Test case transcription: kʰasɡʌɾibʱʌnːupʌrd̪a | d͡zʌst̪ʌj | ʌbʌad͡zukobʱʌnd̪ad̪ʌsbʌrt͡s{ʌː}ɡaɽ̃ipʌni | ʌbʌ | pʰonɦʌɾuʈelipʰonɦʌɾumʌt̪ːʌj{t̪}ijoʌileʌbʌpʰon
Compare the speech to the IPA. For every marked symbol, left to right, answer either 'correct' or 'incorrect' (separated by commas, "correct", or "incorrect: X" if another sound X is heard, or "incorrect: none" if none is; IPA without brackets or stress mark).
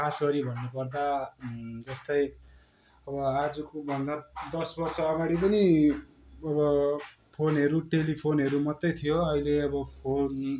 correct, incorrect: t̪ʰ